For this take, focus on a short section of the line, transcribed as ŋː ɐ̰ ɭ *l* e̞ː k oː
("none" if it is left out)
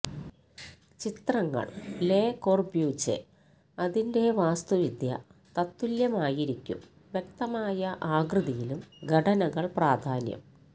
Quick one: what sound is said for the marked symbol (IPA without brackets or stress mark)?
l